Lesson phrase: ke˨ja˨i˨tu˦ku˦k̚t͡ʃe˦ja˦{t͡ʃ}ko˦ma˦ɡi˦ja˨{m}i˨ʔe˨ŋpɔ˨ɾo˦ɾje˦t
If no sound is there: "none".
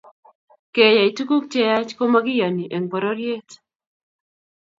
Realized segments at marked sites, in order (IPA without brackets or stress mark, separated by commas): t͡ʃ, n